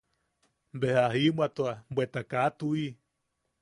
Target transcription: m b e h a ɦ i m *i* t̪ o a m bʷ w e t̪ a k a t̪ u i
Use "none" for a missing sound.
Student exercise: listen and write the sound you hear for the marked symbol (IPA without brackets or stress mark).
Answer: a